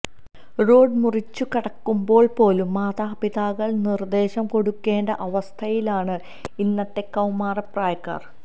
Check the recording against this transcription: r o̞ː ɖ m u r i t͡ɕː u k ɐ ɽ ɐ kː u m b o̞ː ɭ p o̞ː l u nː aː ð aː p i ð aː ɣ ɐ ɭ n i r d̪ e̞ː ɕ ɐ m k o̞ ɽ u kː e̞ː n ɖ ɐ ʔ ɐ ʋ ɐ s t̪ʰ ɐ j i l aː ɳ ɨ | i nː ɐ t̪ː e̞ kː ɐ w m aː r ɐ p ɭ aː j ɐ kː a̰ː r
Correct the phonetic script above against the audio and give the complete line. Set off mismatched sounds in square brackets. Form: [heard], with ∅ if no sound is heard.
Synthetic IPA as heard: r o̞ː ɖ m u r i t͡ɕː u k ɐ ɽ ɐ kː u m b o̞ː ɭ p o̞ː l u [mː] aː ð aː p i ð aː ɣ ɐ ɭ n i r d̪ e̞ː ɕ ɐ m k o̞ ɽ u kː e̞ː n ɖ ɐ ʔ ɐ ʋ ɐ s t̪ʰ ɐ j i l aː ɳ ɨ | i nː ɐ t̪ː e̞ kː ɐ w m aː r ɐ p [r] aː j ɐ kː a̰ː r

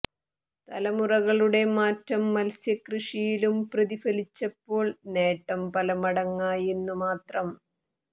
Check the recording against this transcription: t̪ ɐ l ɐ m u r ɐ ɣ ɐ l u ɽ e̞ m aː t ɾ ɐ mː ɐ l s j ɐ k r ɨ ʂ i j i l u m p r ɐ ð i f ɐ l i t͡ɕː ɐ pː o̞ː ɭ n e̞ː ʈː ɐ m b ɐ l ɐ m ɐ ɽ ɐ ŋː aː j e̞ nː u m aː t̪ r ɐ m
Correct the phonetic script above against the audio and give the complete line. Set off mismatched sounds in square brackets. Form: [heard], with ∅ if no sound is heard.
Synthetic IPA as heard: t̪ ɐ l ɐ m u r ɐ ɣ ɐ [ɭ] u ɽ e̞ m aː t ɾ ɐ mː ɐ l s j ɐ k r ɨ ʂ i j i l u m p r ɐ ð i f ɐ l i t͡ɕː ɐ pː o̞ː ɭ n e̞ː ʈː ɐ m [p] ɐ l ɐ m ɐ ɽ ɐ ŋː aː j e̞ nː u m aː t̪ r ɐ m

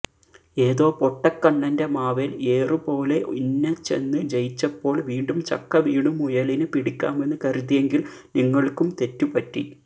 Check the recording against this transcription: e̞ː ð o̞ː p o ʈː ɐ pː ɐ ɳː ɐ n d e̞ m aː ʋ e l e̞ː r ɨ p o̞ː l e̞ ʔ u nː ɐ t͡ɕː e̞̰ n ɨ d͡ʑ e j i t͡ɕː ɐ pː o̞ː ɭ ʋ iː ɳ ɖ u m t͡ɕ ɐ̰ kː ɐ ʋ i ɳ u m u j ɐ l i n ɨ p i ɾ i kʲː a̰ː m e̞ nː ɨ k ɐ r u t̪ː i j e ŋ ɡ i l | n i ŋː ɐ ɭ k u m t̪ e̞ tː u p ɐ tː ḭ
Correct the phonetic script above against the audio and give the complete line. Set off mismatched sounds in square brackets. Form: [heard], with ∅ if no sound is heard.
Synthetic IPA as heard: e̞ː ð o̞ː p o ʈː ɐ [kː] ɐ ɳː ɐ n d e̞ m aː ʋ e l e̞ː r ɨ p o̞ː l e̞ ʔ u nː ɐ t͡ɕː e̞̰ [nː] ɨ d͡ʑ e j i t͡ɕː ɐ pː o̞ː ɭ ʋ iː ɳ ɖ u m t͡ɕ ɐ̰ kː ɐ ʋ [iː] ɳ u m u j ɐ l i n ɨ p i [ɽ] i kʲː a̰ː m e̞ nː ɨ k ɐ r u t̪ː i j e ŋ ɡ i l | n i ŋː ɐ ɭ k u m t̪ e̞ tː u p ɐ tː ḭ

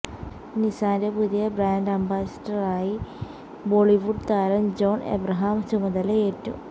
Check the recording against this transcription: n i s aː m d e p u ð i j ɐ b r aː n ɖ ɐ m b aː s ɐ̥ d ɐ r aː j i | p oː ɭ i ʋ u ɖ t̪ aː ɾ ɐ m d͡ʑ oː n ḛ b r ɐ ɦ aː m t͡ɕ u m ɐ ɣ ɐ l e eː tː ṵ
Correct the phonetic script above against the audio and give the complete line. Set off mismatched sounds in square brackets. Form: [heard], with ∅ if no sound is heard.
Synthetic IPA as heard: n i s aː [n] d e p u ð i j ɐ b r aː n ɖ ɐ m b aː s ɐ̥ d ɐ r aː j i | [b] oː ɭ i ʋ u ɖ t̪ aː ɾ ɐ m d͡ʑ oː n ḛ b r ɐ ɦ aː m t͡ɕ u m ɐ [ð] ɐ l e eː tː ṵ

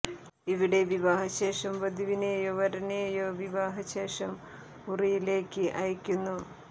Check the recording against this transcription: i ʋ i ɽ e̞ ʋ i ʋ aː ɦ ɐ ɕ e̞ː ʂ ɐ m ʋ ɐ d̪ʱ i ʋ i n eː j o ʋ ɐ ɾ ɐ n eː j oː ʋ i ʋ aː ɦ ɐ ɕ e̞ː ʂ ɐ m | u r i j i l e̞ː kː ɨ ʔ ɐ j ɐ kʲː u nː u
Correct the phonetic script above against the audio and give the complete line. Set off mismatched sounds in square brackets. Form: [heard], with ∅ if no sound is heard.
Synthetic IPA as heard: i ʋ i ɽ e̞ ʋ i ʋ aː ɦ ɐ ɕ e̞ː ʂ ɐ m ʋ ɐ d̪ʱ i ʋ i n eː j o ʋ ɐ ɾ ɐ n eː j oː ʋ i ʋ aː ɦ ɐ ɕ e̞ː ʂ ɐ m | u r i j i l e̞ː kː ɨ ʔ ɐ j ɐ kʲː u nː u

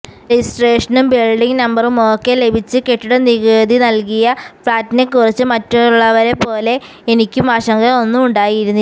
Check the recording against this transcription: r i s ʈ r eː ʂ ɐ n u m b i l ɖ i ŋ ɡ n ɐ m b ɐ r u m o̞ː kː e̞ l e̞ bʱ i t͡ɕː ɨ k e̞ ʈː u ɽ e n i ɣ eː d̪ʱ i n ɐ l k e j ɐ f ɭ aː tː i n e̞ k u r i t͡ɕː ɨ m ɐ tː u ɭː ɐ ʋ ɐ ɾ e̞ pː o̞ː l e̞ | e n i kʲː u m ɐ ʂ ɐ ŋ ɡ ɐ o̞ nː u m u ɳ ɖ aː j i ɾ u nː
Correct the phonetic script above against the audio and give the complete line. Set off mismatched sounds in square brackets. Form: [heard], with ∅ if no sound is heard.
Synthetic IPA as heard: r i s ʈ r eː ʂ ɐ n u m b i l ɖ i ŋ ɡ n ɐ m b ɐ r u m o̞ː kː e̞ l e̞ bʱ i t͡ɕː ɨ k e̞ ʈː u ɽ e n i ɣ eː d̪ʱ i n ɐ l k [i] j ɐ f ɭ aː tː i n e̞ k u r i t͡ɕː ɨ m ɐ tː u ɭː ɐ ʋ ɐ ɾ e̞ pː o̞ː l e̞ | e n i kʲː u m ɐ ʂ ɐ ŋ ɡ ɐ o̞ nː u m u ɳ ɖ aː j i ɾ u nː

